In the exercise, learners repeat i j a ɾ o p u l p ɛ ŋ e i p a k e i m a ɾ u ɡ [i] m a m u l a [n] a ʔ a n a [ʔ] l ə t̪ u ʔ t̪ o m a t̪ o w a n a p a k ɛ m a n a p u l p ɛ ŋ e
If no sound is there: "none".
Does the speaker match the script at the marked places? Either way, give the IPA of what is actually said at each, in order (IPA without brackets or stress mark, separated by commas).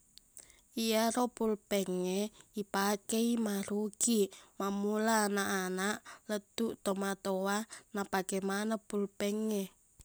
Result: i, n, ʔ